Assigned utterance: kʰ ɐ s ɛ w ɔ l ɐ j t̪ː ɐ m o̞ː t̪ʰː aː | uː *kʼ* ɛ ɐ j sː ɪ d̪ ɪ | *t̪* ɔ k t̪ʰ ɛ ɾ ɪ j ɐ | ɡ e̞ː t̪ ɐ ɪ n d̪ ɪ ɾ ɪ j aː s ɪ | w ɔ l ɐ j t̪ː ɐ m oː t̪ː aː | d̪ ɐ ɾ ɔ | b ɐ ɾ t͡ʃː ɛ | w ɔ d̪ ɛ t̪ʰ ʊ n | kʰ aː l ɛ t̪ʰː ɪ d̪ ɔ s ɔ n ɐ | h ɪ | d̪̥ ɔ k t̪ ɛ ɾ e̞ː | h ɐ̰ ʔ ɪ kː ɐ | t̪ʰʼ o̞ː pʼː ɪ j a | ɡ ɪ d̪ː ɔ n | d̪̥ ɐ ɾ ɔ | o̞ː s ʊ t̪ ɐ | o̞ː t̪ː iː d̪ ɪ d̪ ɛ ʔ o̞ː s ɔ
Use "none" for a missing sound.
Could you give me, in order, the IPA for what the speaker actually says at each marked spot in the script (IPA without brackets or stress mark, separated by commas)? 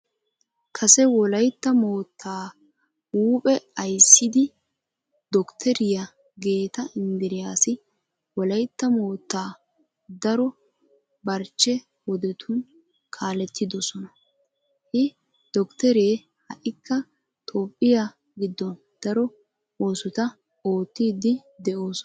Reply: pʼ, d̪